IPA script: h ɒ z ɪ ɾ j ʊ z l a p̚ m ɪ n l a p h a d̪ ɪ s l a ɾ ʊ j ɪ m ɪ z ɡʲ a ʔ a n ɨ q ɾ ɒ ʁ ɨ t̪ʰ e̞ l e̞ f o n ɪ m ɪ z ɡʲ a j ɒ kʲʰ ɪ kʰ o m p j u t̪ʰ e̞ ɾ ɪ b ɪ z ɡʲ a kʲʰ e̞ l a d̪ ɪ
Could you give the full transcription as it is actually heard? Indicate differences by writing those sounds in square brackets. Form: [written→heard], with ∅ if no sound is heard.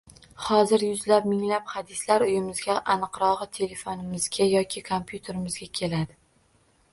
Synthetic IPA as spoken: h ɒ z ɪ ɾ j ʊ z l a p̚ m ɪ [n→ŋ] l a p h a d̪ ɪ s l a ɾ ʊ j ɪ m ɪ z ɡʲ a ʔ a n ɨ q ɾ ɒ ʁ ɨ t̪ʰ e̞ l e̞ f o n ɪ m ɪ z ɡʲ a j ɒ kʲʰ ɪ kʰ o m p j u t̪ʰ e̞ ɾ ɪ [b→m] ɪ z ɡʲ a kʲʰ e̞ l a d̪ ɪ